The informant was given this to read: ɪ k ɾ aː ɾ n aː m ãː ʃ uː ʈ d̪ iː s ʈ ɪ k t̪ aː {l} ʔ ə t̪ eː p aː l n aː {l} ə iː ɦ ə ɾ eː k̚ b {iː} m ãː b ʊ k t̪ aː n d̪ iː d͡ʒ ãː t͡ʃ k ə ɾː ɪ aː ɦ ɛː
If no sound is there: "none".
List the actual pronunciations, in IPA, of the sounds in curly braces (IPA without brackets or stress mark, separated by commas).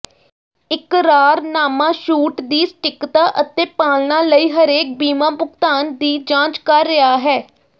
none, l, iː